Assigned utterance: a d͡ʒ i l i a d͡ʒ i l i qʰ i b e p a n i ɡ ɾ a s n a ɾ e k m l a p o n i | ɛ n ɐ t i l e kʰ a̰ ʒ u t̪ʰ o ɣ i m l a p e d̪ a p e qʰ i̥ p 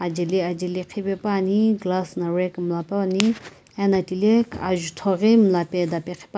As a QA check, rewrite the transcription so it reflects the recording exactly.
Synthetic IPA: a d͡ʒ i l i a d͡ʒ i l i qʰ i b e p a n i ɡ l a s n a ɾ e k m l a p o n i | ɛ n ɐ t i l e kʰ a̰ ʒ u t̪ʰ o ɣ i m l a p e d̪ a p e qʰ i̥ p